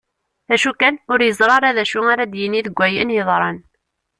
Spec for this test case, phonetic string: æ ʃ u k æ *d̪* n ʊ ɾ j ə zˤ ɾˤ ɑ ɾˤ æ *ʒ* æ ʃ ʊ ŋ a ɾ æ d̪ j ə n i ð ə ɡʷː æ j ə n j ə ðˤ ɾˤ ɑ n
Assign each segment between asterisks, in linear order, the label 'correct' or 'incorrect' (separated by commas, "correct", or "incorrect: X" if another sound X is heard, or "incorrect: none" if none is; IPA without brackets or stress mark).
incorrect: none, incorrect: ð